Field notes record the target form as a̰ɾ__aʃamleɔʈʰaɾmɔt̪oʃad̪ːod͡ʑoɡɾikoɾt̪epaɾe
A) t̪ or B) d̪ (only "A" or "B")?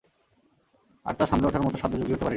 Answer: A